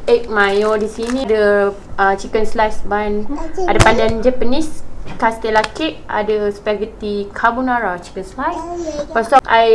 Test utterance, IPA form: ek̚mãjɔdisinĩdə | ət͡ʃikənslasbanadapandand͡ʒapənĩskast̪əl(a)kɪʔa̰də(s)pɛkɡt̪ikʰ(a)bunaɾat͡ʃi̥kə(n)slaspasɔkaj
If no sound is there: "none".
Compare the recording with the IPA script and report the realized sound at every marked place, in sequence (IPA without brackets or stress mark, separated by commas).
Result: a, s, a, n